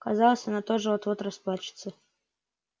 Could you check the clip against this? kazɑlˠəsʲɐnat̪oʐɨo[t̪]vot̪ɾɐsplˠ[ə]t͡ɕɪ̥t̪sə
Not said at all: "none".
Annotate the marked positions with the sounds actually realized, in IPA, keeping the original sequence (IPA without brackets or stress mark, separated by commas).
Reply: t̪, a